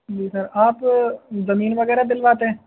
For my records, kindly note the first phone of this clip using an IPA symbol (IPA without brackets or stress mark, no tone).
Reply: d͡ʒ